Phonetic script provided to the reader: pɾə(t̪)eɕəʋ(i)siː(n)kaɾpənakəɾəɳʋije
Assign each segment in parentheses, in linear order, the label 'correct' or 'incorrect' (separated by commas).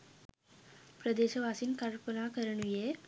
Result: incorrect, incorrect, correct